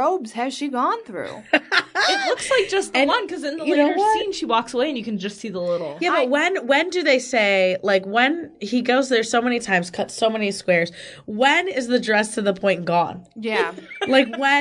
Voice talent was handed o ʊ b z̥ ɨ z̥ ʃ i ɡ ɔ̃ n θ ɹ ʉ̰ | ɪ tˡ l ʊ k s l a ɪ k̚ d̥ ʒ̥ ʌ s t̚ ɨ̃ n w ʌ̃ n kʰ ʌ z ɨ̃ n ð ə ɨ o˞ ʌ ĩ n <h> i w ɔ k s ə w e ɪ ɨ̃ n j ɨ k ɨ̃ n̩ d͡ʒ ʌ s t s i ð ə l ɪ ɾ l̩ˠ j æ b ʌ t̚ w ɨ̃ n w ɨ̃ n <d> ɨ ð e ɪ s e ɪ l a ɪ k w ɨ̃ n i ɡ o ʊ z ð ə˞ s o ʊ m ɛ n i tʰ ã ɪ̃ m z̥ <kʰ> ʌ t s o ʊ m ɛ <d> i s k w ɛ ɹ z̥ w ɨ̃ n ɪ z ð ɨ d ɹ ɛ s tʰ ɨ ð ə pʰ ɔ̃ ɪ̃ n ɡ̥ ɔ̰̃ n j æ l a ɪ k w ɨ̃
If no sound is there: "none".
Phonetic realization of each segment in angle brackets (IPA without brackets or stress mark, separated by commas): ʃ, d, kʰ, n